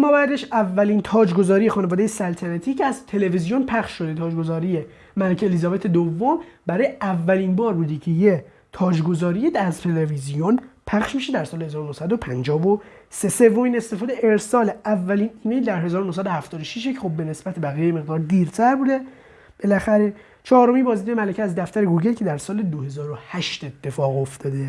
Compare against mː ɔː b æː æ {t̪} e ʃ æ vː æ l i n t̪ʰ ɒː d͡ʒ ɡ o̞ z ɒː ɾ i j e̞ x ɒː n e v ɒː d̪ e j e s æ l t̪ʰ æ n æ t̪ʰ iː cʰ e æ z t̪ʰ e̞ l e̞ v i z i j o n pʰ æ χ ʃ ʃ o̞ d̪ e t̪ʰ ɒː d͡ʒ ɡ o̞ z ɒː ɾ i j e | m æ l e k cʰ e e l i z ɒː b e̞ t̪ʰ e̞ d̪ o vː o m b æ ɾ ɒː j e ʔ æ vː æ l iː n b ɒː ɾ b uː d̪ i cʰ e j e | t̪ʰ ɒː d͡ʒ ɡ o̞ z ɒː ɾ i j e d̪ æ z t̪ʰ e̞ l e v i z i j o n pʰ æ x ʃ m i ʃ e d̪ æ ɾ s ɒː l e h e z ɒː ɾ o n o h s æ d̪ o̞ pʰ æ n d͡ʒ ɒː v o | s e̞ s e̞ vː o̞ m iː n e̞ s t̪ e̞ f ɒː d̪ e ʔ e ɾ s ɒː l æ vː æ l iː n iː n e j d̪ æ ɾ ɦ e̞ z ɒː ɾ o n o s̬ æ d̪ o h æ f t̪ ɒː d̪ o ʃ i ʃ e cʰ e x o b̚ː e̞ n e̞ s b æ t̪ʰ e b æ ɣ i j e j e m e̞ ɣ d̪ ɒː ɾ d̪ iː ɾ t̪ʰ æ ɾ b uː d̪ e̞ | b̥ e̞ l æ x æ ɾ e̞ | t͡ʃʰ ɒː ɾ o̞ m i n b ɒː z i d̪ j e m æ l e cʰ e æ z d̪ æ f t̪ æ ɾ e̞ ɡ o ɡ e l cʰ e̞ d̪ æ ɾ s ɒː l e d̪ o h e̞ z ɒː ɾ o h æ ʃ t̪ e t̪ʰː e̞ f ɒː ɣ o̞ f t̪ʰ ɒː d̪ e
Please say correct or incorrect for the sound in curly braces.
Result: incorrect